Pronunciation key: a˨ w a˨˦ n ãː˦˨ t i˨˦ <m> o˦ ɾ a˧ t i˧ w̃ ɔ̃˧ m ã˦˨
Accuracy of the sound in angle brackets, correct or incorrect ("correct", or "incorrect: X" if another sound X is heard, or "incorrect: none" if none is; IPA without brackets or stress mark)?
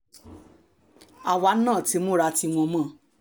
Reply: correct